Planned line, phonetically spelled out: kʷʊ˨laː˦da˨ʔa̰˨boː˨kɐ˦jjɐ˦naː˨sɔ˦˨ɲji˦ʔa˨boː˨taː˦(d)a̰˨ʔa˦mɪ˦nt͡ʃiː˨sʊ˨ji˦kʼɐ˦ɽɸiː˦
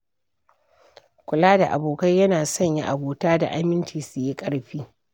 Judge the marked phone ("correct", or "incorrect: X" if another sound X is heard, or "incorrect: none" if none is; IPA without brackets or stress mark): correct